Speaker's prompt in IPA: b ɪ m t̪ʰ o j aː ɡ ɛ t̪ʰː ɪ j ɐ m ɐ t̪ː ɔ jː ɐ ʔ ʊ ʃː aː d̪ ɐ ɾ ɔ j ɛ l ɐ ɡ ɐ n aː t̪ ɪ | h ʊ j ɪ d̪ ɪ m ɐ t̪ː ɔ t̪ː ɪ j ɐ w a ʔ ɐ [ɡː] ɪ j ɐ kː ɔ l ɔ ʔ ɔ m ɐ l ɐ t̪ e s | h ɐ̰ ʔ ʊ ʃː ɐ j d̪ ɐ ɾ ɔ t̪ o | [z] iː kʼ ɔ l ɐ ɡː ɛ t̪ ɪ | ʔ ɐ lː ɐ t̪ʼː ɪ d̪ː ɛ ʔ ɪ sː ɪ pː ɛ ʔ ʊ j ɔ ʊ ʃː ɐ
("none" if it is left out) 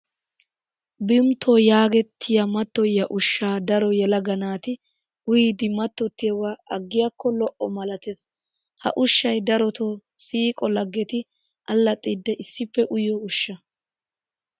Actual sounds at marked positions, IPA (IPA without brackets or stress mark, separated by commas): ɡː, s